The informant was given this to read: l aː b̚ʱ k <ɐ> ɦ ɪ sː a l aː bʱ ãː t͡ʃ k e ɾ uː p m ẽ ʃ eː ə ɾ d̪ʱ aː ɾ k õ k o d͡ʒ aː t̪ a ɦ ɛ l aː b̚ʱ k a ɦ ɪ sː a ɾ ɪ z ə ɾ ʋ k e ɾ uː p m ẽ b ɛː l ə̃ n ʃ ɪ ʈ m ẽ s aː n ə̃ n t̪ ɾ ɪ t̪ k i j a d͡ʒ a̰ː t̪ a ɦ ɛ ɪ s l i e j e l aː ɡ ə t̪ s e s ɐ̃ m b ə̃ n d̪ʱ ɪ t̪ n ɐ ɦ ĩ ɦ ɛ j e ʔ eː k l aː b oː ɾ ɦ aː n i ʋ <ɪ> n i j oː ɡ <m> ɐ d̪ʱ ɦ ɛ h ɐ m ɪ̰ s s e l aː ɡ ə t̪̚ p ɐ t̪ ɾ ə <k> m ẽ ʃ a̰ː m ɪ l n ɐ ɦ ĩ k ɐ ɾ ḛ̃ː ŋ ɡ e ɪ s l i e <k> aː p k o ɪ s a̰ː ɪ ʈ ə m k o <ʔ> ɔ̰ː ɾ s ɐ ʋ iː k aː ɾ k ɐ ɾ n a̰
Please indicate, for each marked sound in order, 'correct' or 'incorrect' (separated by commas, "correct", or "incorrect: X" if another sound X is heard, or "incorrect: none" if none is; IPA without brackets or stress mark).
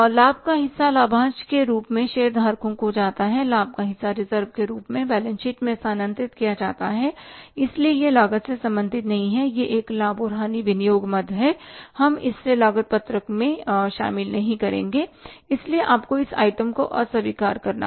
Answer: incorrect: a, correct, correct, correct, incorrect: ʔ, correct